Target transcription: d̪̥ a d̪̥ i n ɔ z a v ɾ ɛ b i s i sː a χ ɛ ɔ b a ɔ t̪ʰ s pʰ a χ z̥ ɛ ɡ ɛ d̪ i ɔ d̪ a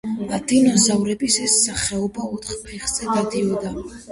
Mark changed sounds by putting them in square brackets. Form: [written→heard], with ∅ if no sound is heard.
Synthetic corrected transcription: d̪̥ a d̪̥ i n ɔ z a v ɾ ɛ b i s [i→ɛ] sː a χ ɛ ɔ b a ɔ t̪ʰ [s→χ] pʰ [a→ɛ] χ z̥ ɛ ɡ [ɛ→a] d̪ i ɔ d̪ a